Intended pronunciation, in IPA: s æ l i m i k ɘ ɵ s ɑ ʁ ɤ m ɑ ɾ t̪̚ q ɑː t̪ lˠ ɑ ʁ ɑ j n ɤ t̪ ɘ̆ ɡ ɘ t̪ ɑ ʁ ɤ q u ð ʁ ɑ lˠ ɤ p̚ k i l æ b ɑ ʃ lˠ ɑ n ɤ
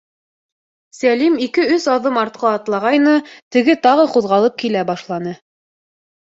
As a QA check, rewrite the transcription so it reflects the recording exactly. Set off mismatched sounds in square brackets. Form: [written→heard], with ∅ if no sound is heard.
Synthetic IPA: s æ l i m i k ɘ ɵ s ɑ [ʁ→ð] ɤ m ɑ ɾ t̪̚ q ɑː t̪ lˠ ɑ ʁ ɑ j n ɤ t̪ ɘ̆ ɡ ɘ t̪ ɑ ʁ ɤ q u ð ʁ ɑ lˠ ɤ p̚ k i l æ b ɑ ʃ lˠ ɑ n ɤ